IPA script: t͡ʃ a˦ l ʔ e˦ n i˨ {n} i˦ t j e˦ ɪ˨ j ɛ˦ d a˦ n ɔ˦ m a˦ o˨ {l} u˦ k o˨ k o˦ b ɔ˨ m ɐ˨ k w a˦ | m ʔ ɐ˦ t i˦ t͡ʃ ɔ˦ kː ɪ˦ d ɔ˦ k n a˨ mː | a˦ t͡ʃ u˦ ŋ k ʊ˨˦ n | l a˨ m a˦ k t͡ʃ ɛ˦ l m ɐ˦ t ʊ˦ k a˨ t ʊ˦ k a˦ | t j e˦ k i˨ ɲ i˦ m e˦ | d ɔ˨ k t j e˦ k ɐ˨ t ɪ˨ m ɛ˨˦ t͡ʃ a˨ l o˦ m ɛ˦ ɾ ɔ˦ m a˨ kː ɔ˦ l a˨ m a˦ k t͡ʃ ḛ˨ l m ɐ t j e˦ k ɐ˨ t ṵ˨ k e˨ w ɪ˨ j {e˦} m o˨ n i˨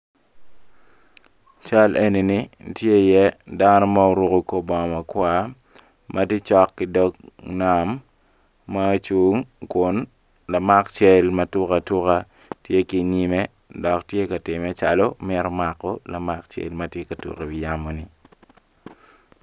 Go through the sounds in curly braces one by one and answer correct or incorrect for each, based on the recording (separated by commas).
correct, incorrect, incorrect